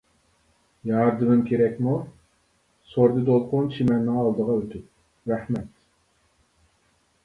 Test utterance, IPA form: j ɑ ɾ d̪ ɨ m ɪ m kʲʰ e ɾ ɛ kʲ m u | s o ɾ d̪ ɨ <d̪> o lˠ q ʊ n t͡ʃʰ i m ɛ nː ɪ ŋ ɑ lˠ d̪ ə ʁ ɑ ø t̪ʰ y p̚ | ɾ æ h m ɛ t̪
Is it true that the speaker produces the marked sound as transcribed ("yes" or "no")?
yes